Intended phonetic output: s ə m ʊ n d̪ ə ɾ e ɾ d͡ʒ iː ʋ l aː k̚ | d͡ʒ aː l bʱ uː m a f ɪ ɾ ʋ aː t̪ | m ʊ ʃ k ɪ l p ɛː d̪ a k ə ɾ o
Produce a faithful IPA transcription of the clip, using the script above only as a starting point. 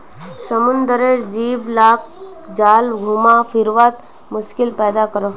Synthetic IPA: s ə m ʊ n d̪ ə ɾ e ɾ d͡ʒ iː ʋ l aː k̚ | d͡ʒ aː l ɡʱ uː m a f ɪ ɾ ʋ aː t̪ | m ʊ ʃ k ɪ l p ɛː d̪ a k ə ɾ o